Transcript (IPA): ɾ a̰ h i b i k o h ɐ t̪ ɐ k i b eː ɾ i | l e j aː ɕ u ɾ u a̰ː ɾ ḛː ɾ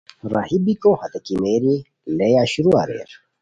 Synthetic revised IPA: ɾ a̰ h i b i k o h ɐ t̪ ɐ k i m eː ɾ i | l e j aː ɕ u ɾ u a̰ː ɾ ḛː ɾ